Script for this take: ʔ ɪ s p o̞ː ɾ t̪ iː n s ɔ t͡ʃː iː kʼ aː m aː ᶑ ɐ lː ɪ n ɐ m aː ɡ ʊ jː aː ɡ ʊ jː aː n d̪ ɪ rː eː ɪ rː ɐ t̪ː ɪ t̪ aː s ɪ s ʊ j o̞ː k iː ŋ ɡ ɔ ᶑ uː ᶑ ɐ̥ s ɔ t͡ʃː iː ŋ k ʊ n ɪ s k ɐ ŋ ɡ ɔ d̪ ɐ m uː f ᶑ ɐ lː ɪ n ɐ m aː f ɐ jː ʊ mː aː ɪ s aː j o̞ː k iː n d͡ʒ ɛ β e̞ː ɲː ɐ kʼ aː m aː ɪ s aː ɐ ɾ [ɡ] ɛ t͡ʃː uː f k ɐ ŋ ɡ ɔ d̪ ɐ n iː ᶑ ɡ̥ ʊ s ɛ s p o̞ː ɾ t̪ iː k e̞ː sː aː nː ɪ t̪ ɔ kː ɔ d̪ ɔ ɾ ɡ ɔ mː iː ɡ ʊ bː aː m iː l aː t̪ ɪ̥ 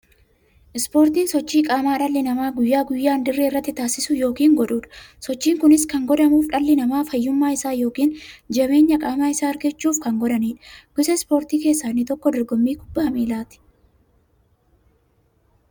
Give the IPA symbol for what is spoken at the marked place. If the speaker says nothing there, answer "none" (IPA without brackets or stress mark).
ɡ